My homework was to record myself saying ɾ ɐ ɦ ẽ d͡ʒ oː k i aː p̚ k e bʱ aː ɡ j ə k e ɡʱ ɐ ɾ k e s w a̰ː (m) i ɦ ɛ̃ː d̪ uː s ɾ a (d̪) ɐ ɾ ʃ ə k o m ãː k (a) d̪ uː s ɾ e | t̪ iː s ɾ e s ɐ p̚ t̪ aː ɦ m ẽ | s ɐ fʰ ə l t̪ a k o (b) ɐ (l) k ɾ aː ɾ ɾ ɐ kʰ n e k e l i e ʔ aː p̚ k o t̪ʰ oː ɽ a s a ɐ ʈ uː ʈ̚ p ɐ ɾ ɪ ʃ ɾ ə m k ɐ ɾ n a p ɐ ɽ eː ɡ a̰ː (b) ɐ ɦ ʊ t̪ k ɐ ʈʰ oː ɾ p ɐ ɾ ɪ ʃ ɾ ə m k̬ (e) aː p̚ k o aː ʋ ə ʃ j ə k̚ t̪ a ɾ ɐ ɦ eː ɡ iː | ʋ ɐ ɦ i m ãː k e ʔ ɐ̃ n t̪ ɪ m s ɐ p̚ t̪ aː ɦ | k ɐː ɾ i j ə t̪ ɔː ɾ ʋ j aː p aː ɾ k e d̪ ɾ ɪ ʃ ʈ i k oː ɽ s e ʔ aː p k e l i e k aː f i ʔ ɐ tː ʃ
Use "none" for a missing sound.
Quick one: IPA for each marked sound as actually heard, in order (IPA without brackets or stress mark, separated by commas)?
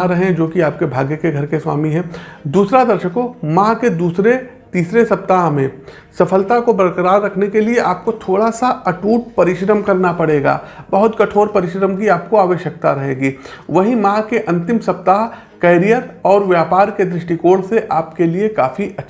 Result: m, d̪, e, b, ɾ, b, i